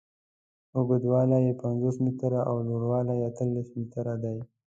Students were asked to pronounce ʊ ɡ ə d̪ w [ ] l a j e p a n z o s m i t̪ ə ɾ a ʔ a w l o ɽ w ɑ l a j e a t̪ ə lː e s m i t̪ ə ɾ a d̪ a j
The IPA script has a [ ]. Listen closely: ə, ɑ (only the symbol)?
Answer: ɑ